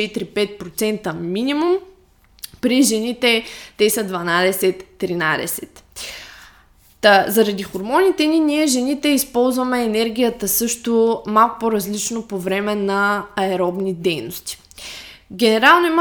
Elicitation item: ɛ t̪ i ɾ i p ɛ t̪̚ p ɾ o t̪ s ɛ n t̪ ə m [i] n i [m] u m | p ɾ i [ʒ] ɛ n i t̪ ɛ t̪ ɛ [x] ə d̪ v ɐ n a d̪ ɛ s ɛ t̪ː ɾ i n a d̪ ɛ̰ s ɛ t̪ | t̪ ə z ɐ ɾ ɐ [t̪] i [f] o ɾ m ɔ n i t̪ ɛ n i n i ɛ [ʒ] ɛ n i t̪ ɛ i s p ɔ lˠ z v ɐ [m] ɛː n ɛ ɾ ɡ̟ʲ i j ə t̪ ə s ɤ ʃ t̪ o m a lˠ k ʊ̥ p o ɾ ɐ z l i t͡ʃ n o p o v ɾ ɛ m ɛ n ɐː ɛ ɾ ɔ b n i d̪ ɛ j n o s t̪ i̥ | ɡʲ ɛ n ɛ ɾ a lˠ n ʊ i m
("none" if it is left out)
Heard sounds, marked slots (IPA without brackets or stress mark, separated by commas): i, m, ʒ, s, d̪, x, ʒ, m